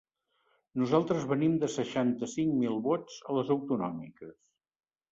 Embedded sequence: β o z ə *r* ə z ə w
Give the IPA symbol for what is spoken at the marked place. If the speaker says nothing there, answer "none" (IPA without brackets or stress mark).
l